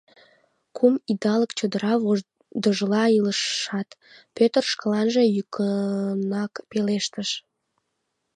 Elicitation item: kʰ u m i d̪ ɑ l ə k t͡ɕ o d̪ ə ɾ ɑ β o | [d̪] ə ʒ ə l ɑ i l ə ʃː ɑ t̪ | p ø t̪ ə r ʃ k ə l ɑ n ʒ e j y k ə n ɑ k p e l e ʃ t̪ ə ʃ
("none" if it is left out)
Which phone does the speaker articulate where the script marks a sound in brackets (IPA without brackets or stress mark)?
d̪